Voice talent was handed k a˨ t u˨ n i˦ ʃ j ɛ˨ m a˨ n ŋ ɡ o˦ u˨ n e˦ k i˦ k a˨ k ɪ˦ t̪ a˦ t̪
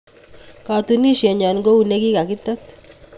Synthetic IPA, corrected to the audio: k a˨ t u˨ n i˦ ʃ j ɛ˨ ɲ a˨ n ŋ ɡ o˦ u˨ n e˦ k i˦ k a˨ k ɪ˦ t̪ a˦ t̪